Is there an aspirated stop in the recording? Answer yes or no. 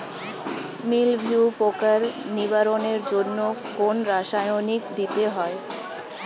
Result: no